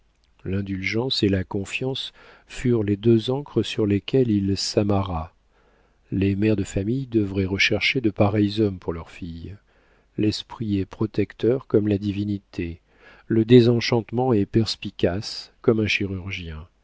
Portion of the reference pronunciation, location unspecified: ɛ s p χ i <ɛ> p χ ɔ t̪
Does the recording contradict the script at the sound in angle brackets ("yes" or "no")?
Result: no